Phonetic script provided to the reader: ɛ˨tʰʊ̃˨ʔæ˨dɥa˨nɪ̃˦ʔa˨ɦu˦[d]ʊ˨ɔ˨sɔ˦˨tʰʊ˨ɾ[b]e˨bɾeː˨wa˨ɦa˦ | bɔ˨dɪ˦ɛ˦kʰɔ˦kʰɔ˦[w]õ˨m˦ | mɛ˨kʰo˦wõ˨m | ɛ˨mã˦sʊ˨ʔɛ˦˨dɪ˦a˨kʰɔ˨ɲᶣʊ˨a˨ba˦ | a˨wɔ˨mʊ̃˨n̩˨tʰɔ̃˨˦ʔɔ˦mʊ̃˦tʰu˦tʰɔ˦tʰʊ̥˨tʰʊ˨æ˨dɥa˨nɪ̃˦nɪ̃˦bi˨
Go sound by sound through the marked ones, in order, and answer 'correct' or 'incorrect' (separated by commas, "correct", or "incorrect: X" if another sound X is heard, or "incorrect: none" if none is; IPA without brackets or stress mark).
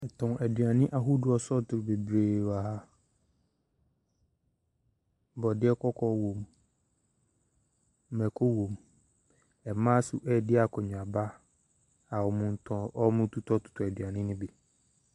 correct, correct, correct